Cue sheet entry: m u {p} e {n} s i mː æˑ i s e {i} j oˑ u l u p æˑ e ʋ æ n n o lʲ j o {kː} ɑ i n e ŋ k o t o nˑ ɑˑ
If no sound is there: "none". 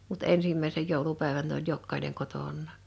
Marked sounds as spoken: t, n, j, kː

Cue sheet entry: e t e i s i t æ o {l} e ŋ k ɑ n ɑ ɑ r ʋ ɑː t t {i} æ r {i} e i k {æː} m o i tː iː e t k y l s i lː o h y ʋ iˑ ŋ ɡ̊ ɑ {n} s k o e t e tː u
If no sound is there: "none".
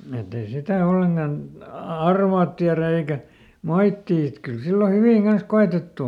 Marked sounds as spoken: lː, i, æ, æ, n

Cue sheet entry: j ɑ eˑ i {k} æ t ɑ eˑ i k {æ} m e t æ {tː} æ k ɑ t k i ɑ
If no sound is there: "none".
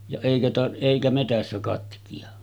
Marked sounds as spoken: k, æ, sː

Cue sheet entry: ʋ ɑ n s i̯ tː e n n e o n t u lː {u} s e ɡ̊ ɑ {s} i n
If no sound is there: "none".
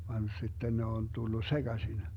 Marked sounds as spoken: u, s

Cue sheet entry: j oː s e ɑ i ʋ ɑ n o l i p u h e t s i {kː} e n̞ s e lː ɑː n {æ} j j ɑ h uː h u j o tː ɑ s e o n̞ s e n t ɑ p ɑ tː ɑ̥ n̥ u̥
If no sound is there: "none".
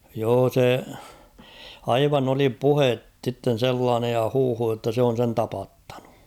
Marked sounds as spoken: tː, e

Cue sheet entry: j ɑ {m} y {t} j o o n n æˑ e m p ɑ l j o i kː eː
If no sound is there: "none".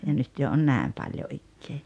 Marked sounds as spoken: n, t

